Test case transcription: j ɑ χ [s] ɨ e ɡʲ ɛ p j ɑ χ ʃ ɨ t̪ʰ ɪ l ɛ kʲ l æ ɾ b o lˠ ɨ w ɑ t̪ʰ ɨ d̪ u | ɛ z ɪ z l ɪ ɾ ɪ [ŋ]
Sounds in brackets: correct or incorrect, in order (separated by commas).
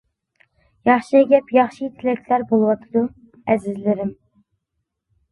incorrect, incorrect